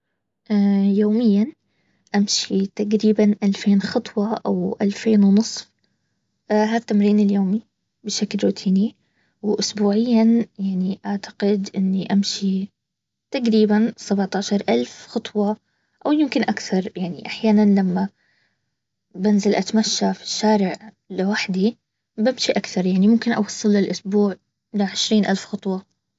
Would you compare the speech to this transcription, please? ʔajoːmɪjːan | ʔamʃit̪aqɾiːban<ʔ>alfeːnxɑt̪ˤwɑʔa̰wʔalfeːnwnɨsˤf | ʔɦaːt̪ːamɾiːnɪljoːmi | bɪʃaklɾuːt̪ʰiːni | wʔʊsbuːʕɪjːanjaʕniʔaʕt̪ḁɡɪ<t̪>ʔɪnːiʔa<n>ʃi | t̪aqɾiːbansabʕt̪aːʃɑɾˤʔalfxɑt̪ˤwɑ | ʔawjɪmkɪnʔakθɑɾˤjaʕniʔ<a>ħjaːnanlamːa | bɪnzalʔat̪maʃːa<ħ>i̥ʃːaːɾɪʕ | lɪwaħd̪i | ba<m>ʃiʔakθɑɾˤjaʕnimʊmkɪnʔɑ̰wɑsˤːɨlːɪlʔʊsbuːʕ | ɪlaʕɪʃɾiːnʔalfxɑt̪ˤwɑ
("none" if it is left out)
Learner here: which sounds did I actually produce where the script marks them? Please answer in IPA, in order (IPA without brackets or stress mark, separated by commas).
ʔ, d̪, m, a, f, m